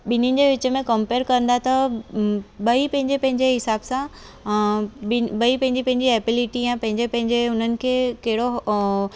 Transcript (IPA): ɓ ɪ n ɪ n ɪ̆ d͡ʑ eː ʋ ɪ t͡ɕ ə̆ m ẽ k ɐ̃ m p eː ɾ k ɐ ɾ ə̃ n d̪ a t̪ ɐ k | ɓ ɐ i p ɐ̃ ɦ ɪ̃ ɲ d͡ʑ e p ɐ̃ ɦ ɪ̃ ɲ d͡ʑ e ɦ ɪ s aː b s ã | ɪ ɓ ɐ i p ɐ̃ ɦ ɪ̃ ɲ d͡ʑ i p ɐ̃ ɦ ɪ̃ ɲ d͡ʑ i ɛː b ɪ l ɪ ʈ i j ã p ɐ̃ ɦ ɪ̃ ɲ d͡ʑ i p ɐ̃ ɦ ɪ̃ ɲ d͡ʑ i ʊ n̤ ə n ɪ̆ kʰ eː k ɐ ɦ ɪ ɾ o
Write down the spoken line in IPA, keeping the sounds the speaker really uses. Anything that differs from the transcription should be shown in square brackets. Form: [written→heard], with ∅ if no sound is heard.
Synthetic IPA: ɓ ɪ n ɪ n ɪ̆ d͡ʑ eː ʋ ɪ t͡ɕ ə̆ m ẽ k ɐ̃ m p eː ɾ k ɐ ɾ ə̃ n d̪ a t̪ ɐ [k→∅] | ɓ ɐ i p ɐ̃ ɦ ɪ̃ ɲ d͡ʑ e p ɐ̃ ɦ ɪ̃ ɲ d͡ʑ e ɦ ɪ s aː b s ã | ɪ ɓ ɐ i p ɐ̃ ɦ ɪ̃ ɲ d͡ʑ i p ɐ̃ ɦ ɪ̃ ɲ d͡ʑ i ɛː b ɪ l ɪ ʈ i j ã p ɐ̃ ɦ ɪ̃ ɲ d͡ʑ [i→e] p ɐ̃ ɦ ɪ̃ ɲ d͡ʑ [i→e] ʊ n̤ ə n ɪ̆ kʰ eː k ɐ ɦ ɪ [ɾ→ɽ] o